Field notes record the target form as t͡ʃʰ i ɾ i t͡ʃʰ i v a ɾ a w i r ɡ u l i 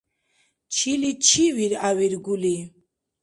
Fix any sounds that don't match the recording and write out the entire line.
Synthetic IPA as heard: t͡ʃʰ i l i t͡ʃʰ i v i ɾ a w i ɾ ɡ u l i